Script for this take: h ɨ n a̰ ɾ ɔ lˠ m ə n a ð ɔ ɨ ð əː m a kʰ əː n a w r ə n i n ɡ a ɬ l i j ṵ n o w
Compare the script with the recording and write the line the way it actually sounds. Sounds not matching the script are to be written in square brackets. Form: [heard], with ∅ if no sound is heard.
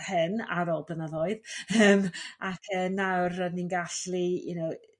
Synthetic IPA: h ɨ n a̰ ɾ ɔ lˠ [b] ə n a ð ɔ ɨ ð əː m a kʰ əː n a w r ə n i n ɡ a ɬ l i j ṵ n o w